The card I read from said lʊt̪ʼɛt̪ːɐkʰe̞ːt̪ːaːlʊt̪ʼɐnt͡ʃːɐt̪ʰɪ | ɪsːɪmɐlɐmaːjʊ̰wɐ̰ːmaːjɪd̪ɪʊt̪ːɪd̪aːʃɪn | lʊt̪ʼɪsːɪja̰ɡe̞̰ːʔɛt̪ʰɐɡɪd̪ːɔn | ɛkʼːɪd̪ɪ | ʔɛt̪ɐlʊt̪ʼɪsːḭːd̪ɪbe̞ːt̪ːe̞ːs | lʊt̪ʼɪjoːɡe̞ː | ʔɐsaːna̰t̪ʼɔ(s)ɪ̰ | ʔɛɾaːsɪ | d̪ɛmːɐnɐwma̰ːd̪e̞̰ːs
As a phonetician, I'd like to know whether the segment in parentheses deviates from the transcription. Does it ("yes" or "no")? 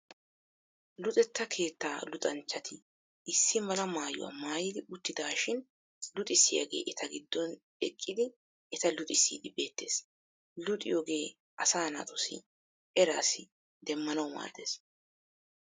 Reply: no